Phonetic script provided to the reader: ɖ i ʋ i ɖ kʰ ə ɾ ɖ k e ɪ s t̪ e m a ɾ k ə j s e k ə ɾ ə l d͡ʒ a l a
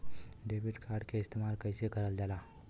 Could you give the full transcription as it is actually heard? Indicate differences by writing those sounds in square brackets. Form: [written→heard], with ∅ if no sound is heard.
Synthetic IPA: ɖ [i→e] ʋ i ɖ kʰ [ə→a] ɾ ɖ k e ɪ s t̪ e m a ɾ k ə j s e k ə ɾ ə l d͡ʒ a l a